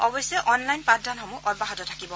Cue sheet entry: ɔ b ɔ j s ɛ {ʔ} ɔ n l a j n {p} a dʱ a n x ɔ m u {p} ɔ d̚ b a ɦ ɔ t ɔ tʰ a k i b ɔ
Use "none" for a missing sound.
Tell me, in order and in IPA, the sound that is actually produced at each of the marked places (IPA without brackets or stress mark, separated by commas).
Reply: ʔ, p, ʔ